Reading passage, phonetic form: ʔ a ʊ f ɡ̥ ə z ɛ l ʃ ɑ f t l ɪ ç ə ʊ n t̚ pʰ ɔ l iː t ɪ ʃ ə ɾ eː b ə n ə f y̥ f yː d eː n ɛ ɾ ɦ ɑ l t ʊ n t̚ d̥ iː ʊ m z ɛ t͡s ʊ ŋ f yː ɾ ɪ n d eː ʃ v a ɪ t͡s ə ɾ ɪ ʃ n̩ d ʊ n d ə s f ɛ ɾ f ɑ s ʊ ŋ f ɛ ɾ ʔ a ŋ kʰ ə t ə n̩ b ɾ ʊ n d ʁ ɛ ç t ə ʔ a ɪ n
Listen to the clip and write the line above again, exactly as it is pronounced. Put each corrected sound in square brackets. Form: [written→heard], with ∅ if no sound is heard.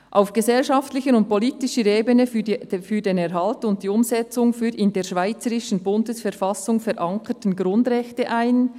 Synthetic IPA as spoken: ʔ a ʊ f ɡ̥ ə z ɛ l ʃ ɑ f t l ɪ ç ə ʊ n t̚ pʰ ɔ l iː t ɪ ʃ ə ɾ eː b ə n ə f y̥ f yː d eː n ɛ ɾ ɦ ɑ l t ʊ n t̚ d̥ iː ʊ m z ɛ t͡s ʊ ŋ f yː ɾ ɪ n d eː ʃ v a ɪ t͡s ə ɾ ɪ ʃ n̩ [d→b] ʊ n d ə s f ɛ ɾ f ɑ s ʊ ŋ f ɛ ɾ ʔ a ŋ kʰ ə t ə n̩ [b→ɡ] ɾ ʊ n d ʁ ɛ ç t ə ʔ a ɪ n